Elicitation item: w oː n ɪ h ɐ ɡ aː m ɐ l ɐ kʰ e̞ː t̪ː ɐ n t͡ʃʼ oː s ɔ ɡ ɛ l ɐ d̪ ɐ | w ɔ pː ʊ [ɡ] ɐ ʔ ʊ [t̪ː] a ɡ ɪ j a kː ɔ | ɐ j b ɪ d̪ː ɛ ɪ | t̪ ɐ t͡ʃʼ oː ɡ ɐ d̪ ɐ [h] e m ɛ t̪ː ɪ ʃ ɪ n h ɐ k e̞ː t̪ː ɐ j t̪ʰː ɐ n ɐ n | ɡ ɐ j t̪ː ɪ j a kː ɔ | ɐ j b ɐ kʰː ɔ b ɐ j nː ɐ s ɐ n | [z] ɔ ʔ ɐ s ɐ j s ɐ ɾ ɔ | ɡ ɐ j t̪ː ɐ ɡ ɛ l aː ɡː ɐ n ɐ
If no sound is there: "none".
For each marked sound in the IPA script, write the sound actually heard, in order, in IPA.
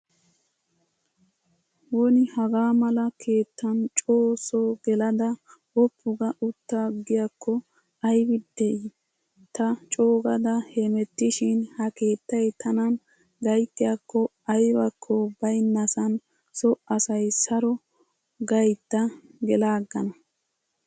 ɡ, t̪ː, h, s

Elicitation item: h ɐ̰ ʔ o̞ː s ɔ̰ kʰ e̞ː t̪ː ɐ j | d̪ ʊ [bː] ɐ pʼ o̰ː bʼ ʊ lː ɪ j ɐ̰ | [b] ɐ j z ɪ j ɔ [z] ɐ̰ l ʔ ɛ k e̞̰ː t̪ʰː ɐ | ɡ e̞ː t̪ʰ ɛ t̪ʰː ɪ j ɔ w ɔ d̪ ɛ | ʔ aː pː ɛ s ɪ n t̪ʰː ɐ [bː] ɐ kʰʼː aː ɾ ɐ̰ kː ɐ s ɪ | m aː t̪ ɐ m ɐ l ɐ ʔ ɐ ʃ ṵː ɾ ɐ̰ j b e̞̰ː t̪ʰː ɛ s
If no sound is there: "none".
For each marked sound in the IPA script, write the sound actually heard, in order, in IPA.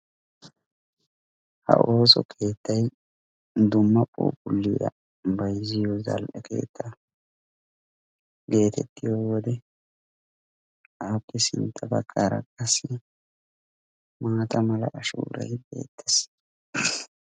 mː, b, z, b

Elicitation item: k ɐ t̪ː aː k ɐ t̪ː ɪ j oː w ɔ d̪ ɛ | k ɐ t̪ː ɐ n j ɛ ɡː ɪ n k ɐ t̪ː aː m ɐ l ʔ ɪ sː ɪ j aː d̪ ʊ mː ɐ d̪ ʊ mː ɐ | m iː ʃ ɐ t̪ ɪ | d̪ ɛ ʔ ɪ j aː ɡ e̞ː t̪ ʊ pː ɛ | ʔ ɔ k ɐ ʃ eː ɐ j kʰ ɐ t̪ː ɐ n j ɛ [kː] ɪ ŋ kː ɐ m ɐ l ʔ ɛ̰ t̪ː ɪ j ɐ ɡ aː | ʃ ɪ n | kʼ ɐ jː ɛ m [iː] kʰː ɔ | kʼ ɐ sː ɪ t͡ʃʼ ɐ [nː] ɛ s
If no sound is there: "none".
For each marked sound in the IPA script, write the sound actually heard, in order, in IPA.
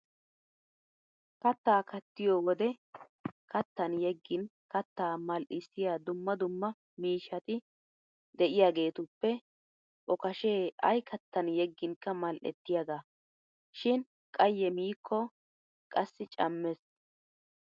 ɡː, iː, mː

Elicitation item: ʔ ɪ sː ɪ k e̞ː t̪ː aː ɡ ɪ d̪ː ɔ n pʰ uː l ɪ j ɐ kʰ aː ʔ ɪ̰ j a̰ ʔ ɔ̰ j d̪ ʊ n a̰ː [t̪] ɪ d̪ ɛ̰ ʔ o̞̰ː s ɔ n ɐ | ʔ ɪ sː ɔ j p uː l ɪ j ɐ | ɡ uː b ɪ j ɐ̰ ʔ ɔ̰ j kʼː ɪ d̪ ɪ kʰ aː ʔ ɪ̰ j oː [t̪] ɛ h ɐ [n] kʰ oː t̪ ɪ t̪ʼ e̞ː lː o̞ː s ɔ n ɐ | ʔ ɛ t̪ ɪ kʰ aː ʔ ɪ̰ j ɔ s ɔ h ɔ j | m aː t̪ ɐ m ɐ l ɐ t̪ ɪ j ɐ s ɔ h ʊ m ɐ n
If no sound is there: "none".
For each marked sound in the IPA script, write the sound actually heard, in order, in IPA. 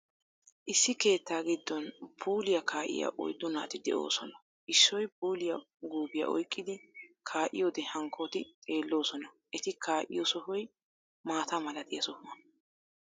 t̪, d̪, ŋ

